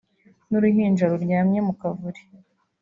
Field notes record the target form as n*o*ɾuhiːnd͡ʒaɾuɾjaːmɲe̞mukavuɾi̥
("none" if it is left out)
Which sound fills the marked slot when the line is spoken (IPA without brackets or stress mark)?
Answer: u